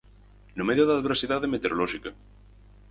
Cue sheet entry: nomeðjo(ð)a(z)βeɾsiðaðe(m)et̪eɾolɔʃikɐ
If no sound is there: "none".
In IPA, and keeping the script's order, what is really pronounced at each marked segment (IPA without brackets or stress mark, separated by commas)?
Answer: ð, ð, m